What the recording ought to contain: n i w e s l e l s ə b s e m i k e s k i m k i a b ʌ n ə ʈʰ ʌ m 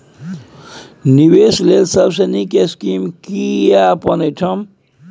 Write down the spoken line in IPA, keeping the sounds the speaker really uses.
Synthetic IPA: n i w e s l e l s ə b s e n i k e s k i m k i a p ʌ n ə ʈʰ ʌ m

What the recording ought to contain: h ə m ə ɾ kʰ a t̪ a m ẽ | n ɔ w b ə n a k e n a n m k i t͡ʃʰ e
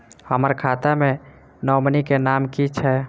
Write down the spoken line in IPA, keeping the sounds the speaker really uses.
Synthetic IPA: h ə m ə ɾ kʰ a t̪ a m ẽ | n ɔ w m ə n i k e n a m k i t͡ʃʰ ɛ

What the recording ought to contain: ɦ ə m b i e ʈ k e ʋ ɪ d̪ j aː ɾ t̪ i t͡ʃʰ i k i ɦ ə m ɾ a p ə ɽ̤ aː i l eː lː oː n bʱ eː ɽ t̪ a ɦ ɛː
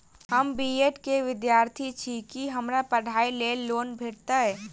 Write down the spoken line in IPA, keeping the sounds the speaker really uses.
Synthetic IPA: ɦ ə m b i e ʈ k e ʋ ɪ d̪ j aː ɾ t̪ʰ i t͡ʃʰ i k i ɦ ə m ɾ a p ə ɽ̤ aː i l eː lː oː n bʱ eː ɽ t̪ a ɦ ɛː

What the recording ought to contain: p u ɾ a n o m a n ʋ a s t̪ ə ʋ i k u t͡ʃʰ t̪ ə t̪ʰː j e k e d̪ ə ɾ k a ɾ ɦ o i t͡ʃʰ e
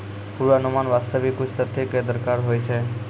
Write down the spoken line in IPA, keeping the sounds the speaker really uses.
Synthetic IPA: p u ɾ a n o m a n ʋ a s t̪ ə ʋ i k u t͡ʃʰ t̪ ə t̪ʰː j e k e d̪ ə ɾ k a ɾ ɦ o j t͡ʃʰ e

